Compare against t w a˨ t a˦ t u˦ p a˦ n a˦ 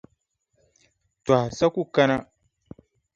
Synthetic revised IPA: t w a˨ s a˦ k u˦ k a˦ n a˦